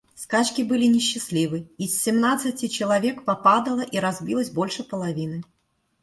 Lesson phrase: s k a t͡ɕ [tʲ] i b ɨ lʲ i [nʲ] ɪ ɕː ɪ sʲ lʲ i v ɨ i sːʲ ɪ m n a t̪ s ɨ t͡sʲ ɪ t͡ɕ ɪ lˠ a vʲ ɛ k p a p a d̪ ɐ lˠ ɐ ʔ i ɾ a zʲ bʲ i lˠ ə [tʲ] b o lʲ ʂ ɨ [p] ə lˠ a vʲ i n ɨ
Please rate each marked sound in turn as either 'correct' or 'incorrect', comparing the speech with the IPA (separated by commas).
incorrect, correct, incorrect, correct